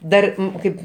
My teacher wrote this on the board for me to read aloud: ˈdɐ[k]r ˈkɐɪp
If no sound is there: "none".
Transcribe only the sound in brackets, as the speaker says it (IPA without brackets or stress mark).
none